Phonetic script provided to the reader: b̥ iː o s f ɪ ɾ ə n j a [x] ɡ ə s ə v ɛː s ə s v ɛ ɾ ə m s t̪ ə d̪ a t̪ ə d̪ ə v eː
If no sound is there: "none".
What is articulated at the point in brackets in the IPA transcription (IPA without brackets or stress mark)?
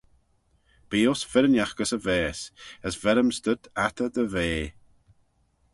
x